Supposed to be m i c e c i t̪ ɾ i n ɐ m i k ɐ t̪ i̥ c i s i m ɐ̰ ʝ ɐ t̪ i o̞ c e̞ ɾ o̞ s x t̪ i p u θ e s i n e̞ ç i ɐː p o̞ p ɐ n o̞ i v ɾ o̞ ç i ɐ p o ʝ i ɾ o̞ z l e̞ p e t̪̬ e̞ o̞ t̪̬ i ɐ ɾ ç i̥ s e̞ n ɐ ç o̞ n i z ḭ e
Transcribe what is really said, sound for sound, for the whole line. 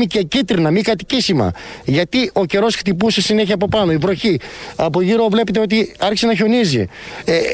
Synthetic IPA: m i c e c i t̪ ɾ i n ɐ m i k ɐ t̪ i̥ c i s i m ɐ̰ ʝ ɐ t̪ i o̞ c e̞ ɾ o̞ s x t̪ i p u s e s i n e̞ ç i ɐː p o̞ p ɐ n o̞ i v ɾ o̞ ç i ɐ p o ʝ i ɾ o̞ v l e̞ p e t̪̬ e̞ o̞ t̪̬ i ɐ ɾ ç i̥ s e̞ n ɐ ç o̞ n i z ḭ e